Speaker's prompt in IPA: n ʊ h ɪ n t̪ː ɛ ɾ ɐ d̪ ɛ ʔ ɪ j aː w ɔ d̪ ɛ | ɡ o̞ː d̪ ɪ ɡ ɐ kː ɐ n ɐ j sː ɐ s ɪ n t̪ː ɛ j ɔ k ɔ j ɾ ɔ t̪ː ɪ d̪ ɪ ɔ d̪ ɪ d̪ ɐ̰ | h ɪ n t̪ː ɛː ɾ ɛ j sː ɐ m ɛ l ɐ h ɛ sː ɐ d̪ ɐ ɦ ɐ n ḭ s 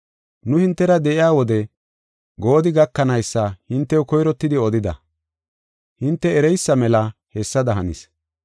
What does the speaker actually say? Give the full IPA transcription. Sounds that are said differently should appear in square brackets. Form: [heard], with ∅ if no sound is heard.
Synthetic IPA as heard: n ʊ h ɪ n t̪ː ɛ ɾ ɐ d̪ ɛ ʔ ɪ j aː w ɔ d̪ ɛ | ɡ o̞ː d̪ ɪ ɡ ɐ kː ɐ n ɐ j sː ɐ [h] ɪ n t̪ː ɛ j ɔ k ɔ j ɾ ɔ t̪ː ɪ d̪ ɪ ɔ d̪ ɪ d̪ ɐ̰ | h ɪ n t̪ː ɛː ɾ ɛ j sː ɐ m ɛ l ɐ h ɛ sː ɐ d̪ ɐ ɦ ɐ n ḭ s